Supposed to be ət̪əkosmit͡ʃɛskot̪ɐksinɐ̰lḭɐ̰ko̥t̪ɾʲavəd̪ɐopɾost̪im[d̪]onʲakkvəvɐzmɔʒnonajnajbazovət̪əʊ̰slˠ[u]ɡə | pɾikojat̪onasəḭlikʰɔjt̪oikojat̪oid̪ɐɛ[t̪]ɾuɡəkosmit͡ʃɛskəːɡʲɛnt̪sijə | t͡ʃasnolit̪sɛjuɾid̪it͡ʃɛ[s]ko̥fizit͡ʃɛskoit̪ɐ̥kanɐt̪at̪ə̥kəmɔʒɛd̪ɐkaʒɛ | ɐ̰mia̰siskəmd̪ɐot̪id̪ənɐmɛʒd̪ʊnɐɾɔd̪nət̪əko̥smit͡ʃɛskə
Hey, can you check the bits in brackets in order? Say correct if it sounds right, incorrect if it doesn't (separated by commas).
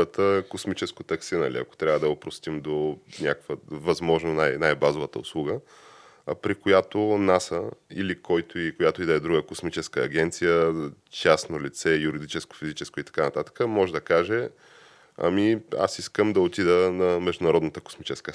correct, correct, incorrect, correct